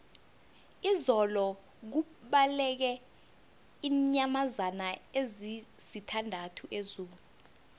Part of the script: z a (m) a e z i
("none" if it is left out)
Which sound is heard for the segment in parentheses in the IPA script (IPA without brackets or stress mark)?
n